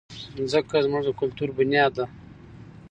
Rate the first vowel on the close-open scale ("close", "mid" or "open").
mid